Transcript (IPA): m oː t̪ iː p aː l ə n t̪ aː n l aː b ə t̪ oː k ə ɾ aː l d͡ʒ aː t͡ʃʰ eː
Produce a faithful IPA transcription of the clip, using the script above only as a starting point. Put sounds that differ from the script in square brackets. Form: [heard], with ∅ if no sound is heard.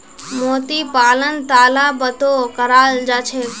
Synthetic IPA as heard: m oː t̪ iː p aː l ə n t̪ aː [∅] l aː b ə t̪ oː k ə ɾ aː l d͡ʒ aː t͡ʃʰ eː